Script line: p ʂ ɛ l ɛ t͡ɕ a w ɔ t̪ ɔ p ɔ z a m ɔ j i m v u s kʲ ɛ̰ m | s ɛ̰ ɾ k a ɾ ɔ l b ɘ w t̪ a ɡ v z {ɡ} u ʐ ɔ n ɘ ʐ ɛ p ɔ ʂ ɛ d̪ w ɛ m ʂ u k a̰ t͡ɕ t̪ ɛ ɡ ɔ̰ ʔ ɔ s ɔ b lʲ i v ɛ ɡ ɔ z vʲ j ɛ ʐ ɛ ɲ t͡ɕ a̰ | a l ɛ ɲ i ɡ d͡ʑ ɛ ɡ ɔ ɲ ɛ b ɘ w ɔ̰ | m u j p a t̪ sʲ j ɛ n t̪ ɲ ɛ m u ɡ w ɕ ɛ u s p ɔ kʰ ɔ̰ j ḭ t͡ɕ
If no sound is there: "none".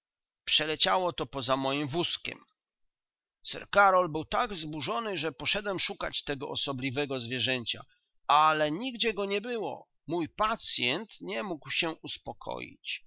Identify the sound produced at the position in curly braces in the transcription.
b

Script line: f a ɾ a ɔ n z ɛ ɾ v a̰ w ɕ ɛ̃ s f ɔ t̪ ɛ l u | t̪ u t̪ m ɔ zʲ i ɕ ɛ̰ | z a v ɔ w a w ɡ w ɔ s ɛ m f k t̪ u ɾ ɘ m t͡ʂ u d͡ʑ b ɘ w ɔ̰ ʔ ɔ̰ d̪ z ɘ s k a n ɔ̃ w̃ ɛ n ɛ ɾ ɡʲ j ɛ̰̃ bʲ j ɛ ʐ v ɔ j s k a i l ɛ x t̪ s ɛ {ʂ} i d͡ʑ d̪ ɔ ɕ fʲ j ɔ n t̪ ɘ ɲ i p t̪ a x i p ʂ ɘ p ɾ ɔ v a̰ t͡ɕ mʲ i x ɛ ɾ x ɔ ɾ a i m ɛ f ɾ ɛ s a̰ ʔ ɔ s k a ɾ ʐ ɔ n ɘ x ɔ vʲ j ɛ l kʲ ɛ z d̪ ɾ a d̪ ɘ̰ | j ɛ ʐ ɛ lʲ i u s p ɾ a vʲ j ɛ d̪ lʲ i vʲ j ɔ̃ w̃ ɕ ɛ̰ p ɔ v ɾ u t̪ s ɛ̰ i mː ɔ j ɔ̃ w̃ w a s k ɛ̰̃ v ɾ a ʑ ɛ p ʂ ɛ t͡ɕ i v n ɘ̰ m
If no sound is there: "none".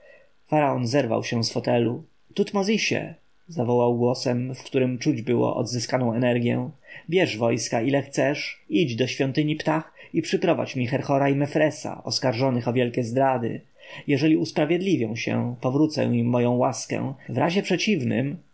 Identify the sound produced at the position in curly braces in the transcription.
ʂ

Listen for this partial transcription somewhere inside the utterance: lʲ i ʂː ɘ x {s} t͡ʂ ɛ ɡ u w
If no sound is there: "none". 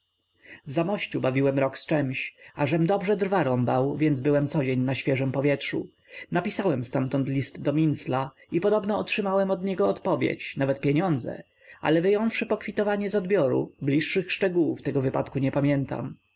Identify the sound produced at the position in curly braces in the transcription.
ʂ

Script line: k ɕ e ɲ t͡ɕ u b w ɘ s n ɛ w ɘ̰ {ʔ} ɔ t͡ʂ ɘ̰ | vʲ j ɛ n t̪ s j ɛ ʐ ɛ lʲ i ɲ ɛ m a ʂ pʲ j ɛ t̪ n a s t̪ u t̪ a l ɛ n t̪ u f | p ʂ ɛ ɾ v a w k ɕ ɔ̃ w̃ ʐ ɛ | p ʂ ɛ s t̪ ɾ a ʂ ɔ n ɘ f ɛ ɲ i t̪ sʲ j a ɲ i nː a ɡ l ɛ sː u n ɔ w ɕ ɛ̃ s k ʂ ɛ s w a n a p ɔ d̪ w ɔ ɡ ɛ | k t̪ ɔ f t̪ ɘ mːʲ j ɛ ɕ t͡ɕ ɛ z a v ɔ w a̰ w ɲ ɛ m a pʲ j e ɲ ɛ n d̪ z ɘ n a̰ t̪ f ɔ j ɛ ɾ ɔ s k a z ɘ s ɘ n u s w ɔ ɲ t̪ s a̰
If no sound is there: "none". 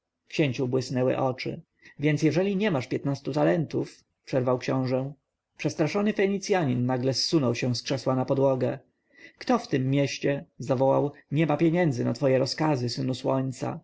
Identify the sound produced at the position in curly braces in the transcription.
ʔ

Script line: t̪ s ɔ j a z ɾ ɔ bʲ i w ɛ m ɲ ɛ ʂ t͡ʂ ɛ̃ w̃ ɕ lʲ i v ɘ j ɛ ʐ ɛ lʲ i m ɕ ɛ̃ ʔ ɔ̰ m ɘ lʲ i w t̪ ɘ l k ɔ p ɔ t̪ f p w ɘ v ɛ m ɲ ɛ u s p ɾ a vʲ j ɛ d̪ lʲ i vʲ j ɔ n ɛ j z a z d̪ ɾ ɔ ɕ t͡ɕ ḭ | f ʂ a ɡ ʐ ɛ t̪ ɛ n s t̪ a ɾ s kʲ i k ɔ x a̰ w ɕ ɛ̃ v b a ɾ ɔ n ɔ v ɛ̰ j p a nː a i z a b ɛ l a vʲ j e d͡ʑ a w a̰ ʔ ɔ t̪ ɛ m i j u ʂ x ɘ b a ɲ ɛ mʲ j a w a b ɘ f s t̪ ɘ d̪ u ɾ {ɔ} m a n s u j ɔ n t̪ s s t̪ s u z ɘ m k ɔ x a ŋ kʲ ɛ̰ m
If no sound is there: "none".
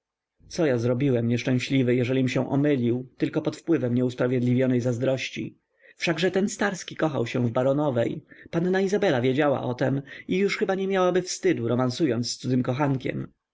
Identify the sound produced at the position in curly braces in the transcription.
ɔ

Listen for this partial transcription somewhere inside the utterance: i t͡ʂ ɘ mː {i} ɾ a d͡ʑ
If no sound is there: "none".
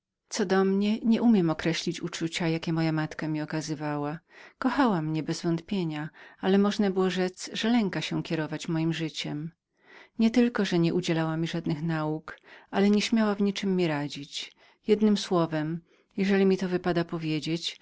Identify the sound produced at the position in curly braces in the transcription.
i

